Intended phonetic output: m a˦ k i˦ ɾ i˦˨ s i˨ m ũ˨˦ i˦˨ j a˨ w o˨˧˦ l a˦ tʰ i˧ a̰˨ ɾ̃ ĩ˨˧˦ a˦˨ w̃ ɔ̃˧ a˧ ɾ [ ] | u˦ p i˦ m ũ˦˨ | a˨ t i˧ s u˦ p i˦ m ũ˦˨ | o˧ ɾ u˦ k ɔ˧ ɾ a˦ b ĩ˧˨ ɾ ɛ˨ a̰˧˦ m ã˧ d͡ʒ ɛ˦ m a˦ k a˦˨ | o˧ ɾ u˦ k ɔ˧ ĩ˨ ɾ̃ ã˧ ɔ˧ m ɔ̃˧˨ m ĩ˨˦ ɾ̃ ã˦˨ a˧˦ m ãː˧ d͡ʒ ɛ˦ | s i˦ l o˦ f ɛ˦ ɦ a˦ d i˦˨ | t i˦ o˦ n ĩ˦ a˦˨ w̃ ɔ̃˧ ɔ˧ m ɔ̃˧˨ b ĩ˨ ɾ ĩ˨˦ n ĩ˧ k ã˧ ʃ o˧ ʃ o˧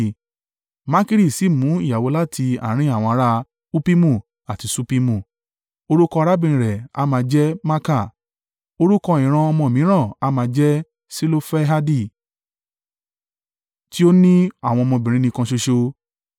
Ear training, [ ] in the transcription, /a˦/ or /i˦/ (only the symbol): a˦